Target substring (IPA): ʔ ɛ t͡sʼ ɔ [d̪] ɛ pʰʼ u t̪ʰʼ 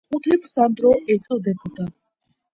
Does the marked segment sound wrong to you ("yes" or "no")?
no